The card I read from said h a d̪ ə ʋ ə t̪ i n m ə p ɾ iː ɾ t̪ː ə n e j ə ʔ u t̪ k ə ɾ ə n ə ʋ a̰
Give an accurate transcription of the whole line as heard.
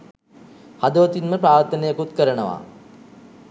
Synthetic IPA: h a d̪ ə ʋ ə t̪ i n m ə p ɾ aː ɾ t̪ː ə n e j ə k u t̪ k ə ɾ ə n ə ʋ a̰